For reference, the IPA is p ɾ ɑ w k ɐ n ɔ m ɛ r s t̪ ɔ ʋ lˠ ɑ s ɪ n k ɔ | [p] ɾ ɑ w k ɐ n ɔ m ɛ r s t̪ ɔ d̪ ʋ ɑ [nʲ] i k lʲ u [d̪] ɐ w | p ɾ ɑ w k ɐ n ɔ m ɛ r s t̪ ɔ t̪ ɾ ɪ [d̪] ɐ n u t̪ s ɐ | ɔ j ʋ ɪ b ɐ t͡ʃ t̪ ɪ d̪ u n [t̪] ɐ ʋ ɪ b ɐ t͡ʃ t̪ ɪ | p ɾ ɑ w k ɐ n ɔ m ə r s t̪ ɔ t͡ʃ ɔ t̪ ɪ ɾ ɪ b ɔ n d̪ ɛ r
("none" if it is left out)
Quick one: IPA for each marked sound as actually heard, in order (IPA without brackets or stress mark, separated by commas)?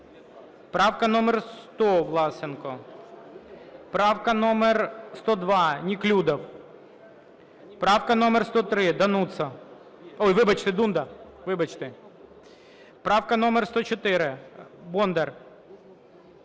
p, nʲ, d̪, d̪, d̪